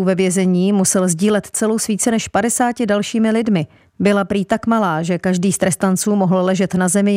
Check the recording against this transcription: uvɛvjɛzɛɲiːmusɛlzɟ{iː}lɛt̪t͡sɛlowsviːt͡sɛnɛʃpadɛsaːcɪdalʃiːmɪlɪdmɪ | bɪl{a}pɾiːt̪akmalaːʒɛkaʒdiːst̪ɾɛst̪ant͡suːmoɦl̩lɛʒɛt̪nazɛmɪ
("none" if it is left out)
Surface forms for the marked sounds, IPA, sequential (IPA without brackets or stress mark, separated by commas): iː, a